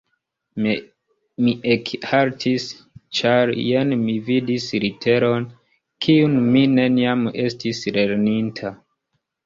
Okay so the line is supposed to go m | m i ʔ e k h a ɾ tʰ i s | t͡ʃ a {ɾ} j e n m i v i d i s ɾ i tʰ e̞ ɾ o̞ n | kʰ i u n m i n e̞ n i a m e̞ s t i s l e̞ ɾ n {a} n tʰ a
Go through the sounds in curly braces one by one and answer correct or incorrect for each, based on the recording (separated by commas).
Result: correct, incorrect